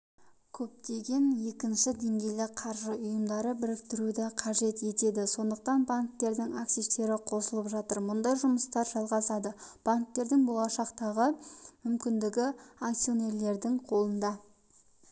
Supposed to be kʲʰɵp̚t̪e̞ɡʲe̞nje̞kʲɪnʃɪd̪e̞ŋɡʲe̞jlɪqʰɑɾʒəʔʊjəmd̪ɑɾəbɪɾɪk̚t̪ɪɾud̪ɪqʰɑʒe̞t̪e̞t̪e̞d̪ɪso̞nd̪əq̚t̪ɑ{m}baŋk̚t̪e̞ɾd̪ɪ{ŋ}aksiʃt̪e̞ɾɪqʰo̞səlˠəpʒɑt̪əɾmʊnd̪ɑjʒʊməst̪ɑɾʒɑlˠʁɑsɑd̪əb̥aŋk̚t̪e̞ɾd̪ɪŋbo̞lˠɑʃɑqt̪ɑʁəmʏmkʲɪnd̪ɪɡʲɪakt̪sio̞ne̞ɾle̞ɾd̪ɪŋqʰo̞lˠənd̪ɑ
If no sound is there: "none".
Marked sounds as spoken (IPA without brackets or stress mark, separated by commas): n, ŋ